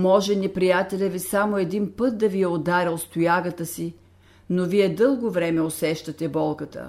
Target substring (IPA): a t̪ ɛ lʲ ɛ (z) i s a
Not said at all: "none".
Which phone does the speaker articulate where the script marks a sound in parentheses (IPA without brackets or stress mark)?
v